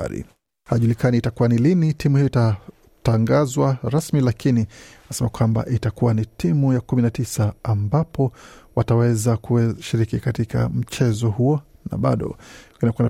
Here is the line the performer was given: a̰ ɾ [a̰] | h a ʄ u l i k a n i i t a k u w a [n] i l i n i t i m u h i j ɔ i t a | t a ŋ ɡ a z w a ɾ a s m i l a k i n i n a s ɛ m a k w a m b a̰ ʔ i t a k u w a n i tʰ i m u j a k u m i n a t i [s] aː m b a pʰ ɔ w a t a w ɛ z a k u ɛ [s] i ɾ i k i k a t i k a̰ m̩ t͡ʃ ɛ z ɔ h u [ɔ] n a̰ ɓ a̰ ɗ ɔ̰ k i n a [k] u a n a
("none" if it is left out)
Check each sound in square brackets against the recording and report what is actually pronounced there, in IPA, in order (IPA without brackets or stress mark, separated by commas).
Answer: ḭ, n, s, ʃ, ɔ, k